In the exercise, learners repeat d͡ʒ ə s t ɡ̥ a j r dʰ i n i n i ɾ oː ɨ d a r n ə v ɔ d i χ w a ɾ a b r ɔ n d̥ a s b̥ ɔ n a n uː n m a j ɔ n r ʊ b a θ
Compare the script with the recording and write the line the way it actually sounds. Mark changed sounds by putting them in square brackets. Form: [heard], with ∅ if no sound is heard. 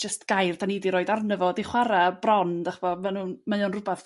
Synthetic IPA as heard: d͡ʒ ə s t ɡ̥ a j r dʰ [a] n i [d] i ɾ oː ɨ d a r n ə v ɔ d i χ w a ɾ a b r ɔ n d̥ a [χ] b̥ ɔ [m] a n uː n m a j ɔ n r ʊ b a θ